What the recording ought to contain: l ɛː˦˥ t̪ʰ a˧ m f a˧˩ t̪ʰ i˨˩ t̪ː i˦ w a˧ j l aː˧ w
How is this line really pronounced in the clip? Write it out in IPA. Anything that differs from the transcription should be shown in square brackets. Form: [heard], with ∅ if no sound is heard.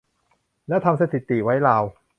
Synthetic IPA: l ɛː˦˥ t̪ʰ a˧ m [s] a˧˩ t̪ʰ i˨˩ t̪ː [i˨˩] w [a˦˥] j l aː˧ w